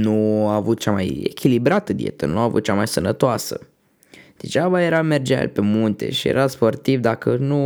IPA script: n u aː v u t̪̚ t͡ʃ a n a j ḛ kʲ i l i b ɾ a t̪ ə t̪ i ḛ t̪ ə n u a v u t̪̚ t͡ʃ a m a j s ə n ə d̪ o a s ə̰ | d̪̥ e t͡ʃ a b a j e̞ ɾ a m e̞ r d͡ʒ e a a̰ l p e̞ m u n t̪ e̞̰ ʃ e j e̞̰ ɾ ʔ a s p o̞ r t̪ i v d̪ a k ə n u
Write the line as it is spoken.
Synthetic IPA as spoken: n u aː v u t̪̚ t͡ʃ a m a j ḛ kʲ i l i b ɾ a t̪ ə d̪ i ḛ t̪ ə n u a v u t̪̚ t͡ʃ a m a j s ə n ə t̪ o a s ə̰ | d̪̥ e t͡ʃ a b a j e̞ ɾ a m e̞ r d͡ʒ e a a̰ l p e̞ m u n t̪ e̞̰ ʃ i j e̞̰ ɾ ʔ a s p o̞ r t̪ i v d̪ a k ə n u